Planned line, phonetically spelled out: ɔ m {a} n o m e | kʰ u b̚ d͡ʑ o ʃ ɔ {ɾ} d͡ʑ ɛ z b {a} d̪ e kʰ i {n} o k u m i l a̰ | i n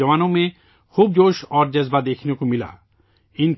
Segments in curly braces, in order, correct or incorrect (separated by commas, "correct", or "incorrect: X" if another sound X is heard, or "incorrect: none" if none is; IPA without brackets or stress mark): correct, correct, correct, correct